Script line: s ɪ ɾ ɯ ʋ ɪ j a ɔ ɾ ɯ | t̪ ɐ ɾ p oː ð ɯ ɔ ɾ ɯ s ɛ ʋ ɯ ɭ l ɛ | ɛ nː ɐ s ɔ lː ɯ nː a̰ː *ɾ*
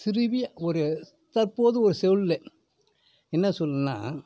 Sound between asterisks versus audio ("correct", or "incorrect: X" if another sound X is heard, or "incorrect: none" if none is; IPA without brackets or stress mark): incorrect: none